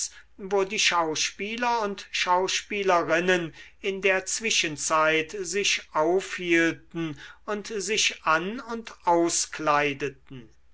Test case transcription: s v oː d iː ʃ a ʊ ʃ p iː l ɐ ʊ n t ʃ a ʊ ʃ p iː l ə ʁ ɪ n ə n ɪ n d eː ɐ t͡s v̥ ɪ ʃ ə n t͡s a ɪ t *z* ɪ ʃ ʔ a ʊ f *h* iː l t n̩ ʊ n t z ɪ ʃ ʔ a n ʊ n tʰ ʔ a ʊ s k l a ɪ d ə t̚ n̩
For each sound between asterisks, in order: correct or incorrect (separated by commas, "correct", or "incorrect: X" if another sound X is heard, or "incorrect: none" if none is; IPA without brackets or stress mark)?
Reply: correct, correct